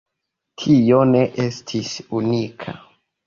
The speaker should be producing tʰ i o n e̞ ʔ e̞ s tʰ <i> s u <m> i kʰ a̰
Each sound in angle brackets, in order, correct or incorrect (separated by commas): correct, incorrect